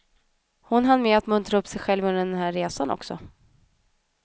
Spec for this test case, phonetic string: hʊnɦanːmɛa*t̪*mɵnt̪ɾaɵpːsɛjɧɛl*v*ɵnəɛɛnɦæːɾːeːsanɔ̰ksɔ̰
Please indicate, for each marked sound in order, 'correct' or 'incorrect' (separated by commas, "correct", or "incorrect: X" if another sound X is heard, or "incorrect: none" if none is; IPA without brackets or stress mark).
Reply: correct, correct